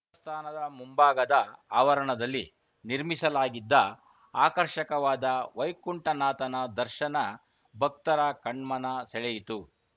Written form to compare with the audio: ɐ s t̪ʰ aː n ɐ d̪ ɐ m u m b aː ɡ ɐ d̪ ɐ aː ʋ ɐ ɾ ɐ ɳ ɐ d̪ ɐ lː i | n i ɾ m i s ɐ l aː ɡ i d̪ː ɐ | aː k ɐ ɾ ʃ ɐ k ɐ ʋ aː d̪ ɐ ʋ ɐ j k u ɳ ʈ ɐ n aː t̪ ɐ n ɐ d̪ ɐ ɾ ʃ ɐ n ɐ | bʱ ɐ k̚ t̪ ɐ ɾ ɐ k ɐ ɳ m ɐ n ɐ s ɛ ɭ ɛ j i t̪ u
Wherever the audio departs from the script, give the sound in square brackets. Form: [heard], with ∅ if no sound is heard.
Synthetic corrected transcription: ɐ s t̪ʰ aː n ɐ d̪ ɐ m u m b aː ɡ ɐ d̪ ɐ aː ʋ ɐ ɾ ɐ ɳ ɐ d̪ ɐ lː i | n i ɾ m i s ɐ l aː ɡ i d̪ː ɐ | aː k ɐ ɾ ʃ ɐ k ɐ ʋ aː d̪ ɐ ʋ ɐ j k u ɳ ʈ ɐ n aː t̪ ɐ n ɐ d̪ ɐ ɾ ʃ ɐ n ɐ | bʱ ɐ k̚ t̪ ɐ ɾ ɐ k ɐ ɳ m ɐ n ɐ s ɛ ɭ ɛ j i t̪ u

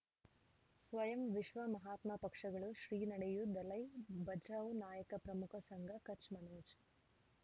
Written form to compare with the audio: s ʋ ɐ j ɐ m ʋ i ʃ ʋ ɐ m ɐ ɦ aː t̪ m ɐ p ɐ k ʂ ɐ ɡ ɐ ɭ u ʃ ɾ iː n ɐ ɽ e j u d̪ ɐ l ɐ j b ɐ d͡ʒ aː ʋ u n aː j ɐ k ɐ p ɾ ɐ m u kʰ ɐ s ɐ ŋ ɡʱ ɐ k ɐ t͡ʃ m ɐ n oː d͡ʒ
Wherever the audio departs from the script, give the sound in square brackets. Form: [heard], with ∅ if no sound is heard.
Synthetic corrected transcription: s ʋ ɐ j ɐ m ʋ i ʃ ʋ ɐ m ɐ ɦ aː t̪ m ɐ p ɐ k ʂ ɐ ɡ ɐ ɭ u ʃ ɾ iː n ɐ ɽ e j u d̪ ɐ l ɐ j b ɐ d͡ʒ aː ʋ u n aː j ɐ k ɐ p ɾ ɐ m u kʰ ɐ s ɐ ŋ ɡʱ ɐ k ɐ t͡ʃ m ɐ n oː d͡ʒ

